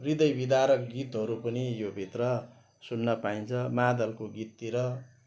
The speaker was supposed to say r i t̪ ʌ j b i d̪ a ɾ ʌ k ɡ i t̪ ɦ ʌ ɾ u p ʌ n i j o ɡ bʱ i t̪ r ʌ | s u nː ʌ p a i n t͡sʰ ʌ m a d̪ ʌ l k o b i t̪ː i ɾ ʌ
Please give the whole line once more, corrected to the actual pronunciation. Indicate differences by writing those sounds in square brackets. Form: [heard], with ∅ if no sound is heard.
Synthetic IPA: r i [d̪] ʌ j b i d̪ a ɾ ʌ k ɡ i t̪ ɦ ʌ ɾ u p ʌ n i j o [∅] bʱ i t̪ r ʌ | s u nː ʌ p a i n t͡sʰ ʌ m a d̪ ʌ l k o [ɡ] i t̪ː i ɾ ʌ